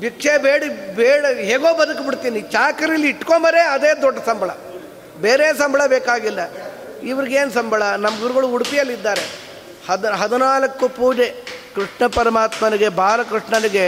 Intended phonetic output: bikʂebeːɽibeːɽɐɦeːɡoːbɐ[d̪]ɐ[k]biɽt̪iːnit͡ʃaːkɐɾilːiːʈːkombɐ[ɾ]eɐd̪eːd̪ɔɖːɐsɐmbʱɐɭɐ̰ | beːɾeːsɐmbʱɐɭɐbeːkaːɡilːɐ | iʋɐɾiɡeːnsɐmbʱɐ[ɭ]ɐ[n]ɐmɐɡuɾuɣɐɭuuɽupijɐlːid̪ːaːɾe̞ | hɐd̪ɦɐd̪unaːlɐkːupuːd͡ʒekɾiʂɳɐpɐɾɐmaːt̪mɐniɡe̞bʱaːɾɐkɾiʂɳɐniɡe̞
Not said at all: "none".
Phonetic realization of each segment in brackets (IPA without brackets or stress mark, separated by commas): d̪, k, ɾ, ɭ, n